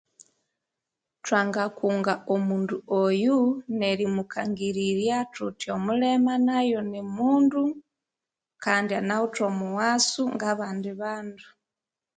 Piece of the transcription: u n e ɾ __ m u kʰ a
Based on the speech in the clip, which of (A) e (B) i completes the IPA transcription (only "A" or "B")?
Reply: B